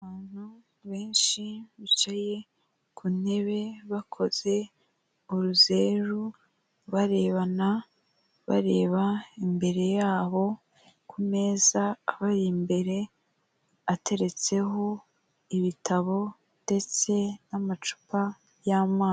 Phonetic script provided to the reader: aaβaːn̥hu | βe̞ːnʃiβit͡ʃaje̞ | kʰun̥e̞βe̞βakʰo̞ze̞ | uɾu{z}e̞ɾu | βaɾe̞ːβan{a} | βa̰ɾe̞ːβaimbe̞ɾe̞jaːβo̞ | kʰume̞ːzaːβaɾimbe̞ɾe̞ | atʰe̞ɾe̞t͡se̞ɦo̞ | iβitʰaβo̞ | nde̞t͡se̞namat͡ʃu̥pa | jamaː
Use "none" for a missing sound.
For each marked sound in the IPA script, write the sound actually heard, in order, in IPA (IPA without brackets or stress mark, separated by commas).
z, a